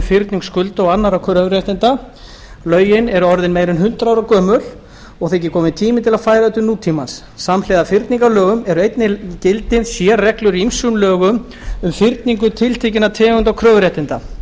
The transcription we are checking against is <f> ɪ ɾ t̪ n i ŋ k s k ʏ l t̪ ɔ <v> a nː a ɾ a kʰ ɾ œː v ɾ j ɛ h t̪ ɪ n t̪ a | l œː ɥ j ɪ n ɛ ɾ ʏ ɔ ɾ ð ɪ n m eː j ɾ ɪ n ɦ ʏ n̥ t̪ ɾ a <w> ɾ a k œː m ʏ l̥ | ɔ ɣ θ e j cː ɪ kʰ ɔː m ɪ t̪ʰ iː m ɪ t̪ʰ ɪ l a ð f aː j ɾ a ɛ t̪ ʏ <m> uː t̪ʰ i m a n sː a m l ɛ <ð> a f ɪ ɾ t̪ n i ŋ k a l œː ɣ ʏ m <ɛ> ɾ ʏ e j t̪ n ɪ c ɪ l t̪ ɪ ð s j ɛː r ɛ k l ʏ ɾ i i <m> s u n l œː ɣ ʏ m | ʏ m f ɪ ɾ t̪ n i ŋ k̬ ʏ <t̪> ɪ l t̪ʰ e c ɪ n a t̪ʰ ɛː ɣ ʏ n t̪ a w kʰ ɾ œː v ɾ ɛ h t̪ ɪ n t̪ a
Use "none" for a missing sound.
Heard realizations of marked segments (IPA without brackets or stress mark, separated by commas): f, ɣ, w, n, ð, ɛ, m, t̪ʰ